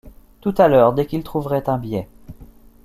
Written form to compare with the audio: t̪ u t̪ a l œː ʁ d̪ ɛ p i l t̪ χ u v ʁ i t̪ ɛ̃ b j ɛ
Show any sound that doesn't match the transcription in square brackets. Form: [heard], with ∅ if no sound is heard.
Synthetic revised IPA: t̪ u t̪ a l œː ʁ d̪ ɛ [k] i l t̪ χ u v ʁ [ɛ] t̪ ɛ̃ b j ɛ